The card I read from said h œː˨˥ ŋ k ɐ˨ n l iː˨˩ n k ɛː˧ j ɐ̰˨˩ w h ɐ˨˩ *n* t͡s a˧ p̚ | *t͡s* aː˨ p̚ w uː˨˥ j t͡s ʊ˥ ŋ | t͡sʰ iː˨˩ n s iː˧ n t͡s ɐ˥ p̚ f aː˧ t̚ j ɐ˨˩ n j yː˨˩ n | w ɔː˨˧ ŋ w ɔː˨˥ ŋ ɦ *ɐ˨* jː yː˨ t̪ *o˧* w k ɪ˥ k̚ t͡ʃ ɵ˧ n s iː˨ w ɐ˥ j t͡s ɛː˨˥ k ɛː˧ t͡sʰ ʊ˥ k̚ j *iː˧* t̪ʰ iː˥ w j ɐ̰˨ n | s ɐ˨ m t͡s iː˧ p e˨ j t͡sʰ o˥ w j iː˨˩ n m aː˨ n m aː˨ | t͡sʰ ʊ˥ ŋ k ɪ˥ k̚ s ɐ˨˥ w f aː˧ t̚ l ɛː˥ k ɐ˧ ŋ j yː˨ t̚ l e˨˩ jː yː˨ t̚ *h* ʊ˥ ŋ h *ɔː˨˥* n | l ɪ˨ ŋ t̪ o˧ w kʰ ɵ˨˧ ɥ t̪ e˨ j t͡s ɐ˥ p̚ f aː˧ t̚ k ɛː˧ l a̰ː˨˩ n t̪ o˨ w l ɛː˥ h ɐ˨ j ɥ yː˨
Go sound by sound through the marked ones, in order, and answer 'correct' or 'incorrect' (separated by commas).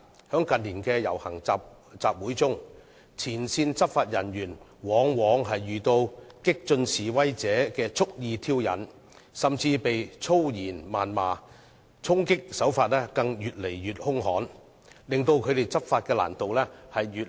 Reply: incorrect, correct, correct, correct, correct, correct, correct